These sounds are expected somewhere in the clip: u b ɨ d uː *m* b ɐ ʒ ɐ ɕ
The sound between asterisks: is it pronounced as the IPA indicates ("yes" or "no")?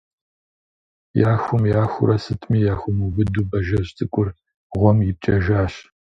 no